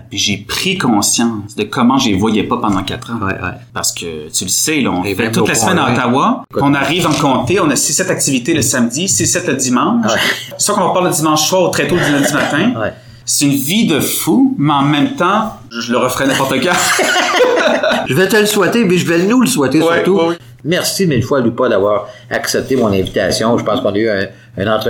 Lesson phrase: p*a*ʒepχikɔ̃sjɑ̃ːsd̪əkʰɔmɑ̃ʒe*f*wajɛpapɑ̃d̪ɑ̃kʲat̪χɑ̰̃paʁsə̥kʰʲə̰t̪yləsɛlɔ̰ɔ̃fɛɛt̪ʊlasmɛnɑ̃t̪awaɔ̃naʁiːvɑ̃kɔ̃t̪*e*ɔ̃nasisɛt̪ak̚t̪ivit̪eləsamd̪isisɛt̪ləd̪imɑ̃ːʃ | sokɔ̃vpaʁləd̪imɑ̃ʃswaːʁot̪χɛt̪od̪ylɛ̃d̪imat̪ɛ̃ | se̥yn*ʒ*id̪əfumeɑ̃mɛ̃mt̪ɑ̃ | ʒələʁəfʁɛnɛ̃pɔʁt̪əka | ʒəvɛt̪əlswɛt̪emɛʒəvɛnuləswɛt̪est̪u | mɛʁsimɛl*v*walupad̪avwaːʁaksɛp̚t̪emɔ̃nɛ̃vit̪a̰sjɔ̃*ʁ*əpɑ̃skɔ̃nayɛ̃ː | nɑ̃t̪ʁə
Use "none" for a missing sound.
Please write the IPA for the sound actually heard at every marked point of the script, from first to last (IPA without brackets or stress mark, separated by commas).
i, v, e, v, f, ʒ